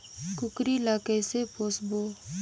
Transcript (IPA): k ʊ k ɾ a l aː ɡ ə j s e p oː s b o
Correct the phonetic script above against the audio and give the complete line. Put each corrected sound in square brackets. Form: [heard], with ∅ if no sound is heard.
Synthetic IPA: k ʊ k ɾ [i] l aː [k] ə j s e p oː s b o